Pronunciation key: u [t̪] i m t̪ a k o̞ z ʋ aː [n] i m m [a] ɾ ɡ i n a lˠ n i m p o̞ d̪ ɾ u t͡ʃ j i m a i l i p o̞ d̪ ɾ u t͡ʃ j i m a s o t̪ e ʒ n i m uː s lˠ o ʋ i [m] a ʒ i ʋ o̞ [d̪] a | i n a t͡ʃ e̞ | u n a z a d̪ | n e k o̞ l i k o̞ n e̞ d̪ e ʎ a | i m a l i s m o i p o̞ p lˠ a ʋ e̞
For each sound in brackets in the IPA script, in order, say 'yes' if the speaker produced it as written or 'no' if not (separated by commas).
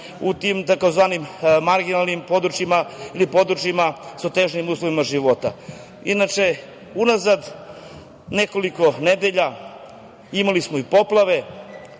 yes, yes, yes, yes, no